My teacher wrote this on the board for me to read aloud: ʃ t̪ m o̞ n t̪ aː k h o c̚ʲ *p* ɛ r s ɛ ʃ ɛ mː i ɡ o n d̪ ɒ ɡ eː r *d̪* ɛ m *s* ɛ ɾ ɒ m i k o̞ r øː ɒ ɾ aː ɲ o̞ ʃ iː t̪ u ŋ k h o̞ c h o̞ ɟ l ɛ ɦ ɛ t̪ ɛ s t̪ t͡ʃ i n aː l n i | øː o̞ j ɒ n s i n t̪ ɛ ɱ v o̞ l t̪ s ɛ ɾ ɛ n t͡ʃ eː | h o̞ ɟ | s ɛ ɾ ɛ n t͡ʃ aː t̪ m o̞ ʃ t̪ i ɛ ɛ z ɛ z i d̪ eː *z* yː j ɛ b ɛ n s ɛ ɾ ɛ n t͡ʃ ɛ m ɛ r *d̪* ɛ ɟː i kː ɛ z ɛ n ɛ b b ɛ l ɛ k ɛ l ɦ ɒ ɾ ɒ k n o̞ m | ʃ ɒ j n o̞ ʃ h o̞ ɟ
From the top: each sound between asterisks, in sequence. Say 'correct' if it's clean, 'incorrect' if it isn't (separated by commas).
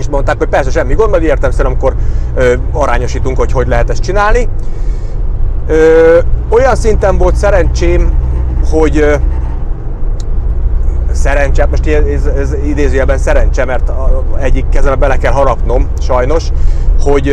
correct, incorrect, correct, correct, incorrect